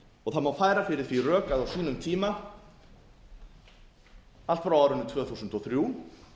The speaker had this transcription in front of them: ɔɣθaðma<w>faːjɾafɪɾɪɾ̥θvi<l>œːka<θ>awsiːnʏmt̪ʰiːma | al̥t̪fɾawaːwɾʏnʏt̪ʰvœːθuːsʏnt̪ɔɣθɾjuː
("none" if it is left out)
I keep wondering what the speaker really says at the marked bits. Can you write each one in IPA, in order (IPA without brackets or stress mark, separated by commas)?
w, r, ð